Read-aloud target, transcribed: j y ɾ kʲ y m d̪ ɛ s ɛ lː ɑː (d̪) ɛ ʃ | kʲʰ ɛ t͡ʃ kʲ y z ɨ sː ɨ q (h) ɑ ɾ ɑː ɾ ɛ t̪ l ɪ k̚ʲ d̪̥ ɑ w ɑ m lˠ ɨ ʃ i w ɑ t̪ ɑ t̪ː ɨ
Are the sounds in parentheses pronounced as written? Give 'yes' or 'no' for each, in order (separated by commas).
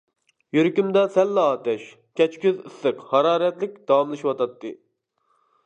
no, yes